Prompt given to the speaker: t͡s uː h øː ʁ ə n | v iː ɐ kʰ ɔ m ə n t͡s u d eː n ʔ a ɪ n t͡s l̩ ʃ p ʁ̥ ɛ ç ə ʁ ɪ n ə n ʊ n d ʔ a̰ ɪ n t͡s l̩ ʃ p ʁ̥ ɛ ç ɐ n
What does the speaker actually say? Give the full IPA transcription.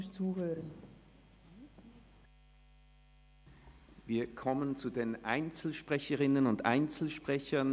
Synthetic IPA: t͡s uː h øː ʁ ə n | v iː ɐ kʰ ɔ m ə n t͡s u d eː n ʔ a ɪ n t͡s l̩ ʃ p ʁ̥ ɛ ç ə ʁ ɪ n ə n ʊ n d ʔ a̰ ɪ n t͡s l̩ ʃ p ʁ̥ ɛ ç ɐ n